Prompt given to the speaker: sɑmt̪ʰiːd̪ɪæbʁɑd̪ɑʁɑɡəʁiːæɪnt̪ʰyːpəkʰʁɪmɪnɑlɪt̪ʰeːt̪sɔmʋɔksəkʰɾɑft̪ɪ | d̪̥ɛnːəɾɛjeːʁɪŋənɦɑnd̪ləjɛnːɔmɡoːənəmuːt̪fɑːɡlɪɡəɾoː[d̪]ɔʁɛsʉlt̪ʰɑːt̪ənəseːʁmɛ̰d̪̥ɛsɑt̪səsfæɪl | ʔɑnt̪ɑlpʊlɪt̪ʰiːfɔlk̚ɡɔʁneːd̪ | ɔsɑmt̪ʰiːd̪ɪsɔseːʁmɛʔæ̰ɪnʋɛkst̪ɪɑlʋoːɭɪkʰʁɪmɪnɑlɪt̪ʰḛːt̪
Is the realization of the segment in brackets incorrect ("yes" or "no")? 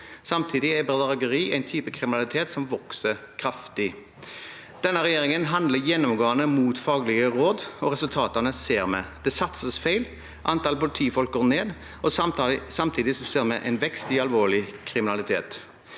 no